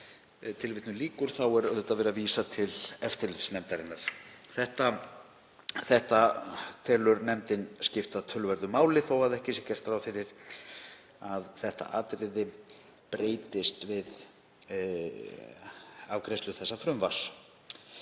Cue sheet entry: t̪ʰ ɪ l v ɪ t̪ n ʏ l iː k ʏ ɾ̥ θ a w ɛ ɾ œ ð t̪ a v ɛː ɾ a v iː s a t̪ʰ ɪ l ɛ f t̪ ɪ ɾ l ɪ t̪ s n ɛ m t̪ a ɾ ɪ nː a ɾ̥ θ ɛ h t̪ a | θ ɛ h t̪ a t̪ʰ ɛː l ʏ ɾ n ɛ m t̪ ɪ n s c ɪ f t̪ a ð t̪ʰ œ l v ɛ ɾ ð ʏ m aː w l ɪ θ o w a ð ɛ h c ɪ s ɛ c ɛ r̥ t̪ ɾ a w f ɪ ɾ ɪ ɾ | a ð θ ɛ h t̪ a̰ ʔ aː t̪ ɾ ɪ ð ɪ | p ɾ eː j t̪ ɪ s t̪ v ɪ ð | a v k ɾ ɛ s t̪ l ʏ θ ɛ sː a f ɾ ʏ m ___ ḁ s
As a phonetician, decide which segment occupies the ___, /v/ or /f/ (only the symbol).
v